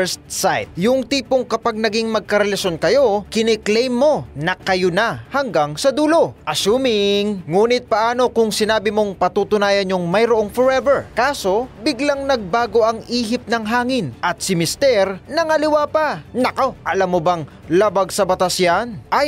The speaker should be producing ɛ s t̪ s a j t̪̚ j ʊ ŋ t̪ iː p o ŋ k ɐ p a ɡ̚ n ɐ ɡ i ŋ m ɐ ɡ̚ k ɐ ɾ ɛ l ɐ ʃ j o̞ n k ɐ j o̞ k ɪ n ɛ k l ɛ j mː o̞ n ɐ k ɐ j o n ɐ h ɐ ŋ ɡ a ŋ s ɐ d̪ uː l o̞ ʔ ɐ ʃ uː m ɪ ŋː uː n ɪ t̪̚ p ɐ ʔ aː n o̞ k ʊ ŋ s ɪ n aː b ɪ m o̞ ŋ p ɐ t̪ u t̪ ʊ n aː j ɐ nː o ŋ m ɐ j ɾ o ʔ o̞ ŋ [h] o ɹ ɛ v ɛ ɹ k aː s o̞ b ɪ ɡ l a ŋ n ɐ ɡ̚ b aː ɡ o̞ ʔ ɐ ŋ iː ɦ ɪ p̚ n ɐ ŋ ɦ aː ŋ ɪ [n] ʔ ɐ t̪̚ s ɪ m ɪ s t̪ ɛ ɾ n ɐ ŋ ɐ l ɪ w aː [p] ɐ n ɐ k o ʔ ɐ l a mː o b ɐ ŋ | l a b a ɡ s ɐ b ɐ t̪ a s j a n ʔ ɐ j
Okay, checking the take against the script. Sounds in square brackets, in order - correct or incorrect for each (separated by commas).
incorrect, correct, correct